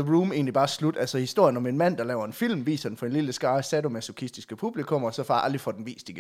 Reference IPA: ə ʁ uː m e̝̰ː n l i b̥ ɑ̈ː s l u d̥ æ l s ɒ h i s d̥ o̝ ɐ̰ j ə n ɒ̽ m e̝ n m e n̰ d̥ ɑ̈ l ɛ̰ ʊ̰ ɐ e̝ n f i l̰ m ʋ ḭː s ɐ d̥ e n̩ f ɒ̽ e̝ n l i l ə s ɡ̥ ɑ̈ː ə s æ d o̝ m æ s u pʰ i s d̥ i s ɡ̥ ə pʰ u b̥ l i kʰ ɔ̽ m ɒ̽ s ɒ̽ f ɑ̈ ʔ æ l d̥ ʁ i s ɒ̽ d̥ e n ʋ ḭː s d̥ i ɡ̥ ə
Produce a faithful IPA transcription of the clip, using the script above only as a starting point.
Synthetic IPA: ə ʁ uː m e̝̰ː n l i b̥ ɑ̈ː s l u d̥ æ l s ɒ h i s d̥ o̝ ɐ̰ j ə n ɒ̽ m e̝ n m æ n̰ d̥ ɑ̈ l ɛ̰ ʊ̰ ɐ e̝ n f i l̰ m ʋ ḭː s ɐ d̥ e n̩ f ɒ̽ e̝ n l i l ə s ɡ̥ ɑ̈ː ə s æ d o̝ m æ s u kʰ i s d̥ i s ɡ̥ ə pʰ u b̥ l i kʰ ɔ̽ m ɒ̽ s ɒ̽ f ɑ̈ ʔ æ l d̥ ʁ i f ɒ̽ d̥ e n ʋ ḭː s d̥ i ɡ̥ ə